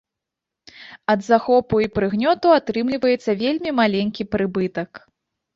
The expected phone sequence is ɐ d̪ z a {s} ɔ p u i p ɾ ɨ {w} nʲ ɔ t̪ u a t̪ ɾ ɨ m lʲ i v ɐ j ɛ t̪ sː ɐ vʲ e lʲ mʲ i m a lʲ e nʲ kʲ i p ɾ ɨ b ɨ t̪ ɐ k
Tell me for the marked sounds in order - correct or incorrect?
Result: incorrect, incorrect

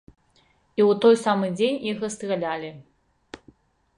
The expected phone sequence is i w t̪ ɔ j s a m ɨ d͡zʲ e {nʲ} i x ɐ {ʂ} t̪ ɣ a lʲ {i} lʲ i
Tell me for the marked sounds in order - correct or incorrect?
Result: correct, incorrect, incorrect

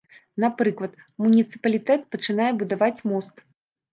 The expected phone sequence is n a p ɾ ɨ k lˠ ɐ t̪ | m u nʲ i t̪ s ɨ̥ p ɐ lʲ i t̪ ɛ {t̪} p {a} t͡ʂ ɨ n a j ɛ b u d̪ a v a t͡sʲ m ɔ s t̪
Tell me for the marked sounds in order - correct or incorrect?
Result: correct, incorrect

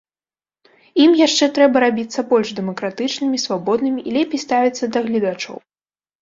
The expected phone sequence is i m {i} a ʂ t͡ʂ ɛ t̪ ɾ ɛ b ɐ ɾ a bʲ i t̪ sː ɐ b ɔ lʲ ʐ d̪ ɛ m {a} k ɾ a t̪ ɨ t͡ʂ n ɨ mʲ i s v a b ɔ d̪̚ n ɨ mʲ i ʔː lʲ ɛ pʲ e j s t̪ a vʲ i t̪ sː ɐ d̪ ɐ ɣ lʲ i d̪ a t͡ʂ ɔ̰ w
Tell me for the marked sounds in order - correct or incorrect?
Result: incorrect, incorrect

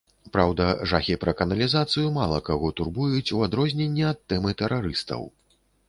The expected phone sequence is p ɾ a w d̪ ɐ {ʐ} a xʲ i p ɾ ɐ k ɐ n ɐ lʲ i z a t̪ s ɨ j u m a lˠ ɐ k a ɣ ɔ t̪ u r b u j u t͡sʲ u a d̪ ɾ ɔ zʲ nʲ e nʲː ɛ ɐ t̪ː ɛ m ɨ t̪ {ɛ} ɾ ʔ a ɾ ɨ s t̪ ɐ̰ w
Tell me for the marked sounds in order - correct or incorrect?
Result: correct, correct

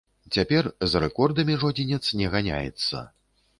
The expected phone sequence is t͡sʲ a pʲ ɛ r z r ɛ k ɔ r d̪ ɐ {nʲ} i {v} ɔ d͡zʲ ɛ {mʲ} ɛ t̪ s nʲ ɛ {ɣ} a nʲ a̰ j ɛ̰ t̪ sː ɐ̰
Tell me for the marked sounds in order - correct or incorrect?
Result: incorrect, incorrect, incorrect, correct

